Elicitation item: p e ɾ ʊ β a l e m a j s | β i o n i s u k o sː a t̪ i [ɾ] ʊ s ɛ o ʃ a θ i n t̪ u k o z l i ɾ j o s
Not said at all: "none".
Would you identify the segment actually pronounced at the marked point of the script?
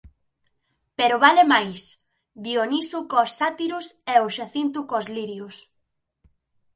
ɾ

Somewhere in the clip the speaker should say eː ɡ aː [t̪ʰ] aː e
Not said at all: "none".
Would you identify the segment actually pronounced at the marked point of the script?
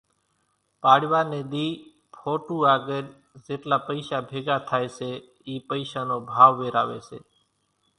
t̪ʰ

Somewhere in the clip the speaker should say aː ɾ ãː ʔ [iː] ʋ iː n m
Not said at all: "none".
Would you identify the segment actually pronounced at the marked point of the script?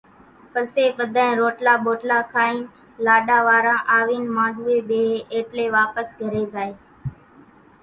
aː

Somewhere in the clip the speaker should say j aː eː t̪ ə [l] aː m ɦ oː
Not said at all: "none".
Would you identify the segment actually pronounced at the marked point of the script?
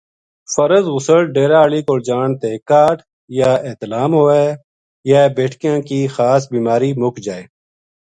l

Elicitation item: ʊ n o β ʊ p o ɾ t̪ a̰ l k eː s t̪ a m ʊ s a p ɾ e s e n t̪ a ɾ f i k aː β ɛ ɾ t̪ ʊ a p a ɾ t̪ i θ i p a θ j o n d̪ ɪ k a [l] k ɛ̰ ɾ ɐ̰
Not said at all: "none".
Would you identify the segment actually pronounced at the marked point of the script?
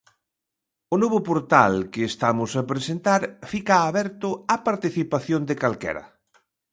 l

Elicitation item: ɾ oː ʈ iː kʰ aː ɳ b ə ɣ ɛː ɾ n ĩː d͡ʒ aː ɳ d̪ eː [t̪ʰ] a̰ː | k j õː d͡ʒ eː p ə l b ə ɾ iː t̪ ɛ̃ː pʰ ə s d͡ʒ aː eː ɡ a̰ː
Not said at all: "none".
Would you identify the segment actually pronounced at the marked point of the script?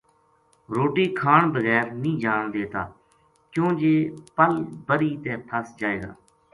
t̪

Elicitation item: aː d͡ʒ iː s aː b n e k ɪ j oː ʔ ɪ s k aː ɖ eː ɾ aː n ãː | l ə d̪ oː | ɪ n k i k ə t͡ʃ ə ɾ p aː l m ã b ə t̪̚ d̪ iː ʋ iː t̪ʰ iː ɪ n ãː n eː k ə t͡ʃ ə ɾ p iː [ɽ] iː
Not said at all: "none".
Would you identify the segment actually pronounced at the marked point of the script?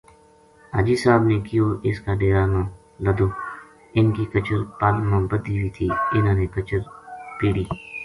ɽ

